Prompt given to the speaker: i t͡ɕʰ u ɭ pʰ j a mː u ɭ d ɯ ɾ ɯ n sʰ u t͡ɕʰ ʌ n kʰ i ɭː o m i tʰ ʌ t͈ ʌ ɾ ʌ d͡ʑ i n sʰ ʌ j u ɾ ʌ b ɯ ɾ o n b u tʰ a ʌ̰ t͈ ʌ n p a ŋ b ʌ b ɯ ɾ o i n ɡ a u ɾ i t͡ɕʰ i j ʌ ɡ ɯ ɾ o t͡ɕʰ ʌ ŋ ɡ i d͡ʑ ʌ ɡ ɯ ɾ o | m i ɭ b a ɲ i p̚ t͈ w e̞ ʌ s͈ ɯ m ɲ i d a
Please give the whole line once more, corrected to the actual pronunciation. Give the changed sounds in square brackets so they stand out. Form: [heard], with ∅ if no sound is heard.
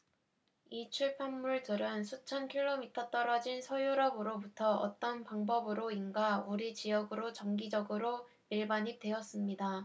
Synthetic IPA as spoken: i t͡ɕʰ u ɭ pʰ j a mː u ɭ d ɯ ɾ ɯ n sʰ u t͡ɕʰ ʌ n kʰ i ɭː o m i tʰ ʌ t͈ ʌ ɾ ʌ d͡ʑ i n sʰ ʌ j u ɾ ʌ b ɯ ɾ o [∅] b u tʰ [ʌ] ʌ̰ t͈ ʌ n p a ŋ b ʌ b ɯ ɾ o i n ɡ a u ɾ i [t͡ɕ] i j ʌ ɡ ɯ ɾ o [t͡ɕ] ʌ ŋ ɡ i d͡ʑ ʌ ɡ ɯ ɾ o | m i ɭ b a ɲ i p̚ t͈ w e̞ ʌ s͈ ɯ m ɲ i d a

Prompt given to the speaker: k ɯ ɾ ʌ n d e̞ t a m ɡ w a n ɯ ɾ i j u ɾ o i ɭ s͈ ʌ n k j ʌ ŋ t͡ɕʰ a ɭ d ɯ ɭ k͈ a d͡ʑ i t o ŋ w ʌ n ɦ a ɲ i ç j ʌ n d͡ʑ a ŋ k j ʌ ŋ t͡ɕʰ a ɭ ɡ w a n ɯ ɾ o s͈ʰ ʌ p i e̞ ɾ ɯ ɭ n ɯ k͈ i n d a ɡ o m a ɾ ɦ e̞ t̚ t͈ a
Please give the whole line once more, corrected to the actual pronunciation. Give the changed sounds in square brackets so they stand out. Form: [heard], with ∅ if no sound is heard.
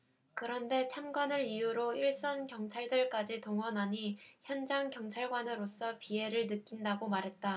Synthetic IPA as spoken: k ɯ ɾ ʌ n d e̞ [t͡ɕʰ] a m ɡ w a n ɯ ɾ i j u ɾ o i ɭ s͈ ʌ n k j ʌ ŋ t͡ɕʰ a ɭ d ɯ ɭ k͈ a d͡ʑ i t o ŋ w ʌ n ɦ a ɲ i ç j ʌ n d͡ʑ a ŋ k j ʌ ŋ t͡ɕʰ a ɭ ɡ w a n ɯ ɾ o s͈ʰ ʌ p i e̞ ɾ ɯ ɭ n ɯ k͈ i n d a ɡ o m a ɾ ɦ e̞ t̚ t͈ a

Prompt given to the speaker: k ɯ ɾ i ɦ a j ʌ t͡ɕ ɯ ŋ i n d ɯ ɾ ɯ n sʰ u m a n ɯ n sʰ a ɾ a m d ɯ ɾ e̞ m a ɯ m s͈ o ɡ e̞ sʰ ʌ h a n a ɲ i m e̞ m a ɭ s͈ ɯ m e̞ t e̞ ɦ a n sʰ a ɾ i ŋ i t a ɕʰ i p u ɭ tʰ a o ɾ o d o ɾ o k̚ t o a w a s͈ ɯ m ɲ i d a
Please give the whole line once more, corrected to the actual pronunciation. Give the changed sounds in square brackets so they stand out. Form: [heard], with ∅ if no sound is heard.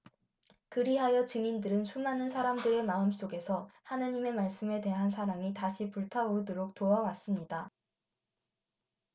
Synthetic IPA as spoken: k ɯ ɾ i ɦ a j ʌ t͡ɕ ɯ ŋ i n d ɯ ɾ ɯ n sʰ u m a n ɯ n sʰ a ɾ a m d ɯ ɾ e̞ m a ɯ m s͈ o ɡ e̞ sʰ ʌ h a n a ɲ i m e̞ m a ɭ s͈ ɯ m e̞ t e̞ ɦ a n sʰ a ɾ [a] ŋ i t a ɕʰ i p u ɭ tʰ a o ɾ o d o ɾ o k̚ t o a w a s͈ ɯ m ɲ i d a

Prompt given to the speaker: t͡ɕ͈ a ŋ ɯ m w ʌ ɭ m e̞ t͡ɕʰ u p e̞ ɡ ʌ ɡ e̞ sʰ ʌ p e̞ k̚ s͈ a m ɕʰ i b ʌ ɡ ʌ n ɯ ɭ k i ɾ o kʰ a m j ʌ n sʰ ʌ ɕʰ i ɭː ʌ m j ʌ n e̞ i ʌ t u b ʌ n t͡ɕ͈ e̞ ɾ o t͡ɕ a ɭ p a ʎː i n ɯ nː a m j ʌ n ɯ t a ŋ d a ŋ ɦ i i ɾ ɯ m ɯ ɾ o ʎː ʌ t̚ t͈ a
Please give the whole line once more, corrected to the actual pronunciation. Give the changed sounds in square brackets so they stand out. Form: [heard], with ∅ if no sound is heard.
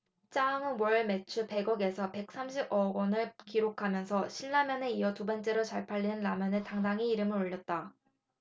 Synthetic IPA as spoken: t͡ɕ͈ a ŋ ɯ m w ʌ ɭ m e̞ t͡ɕʰ u p e̞ ɡ ʌ ɡ e̞ sʰ ʌ p e̞ k̚ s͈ a m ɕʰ i b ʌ ɡ ʌ n ɯ ɭ k i ɾ o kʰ a m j ʌ n sʰ ʌ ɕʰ i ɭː [a] m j ʌ n e̞ i ʌ t u b ʌ n t͡ɕ͈ e̞ ɾ o t͡ɕ a ɭ [pʰ] a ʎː i n ɯ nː a m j ʌ n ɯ t a ŋ d a ŋ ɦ i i ɾ ɯ m ɯ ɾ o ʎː ʌ t̚ t͈ a

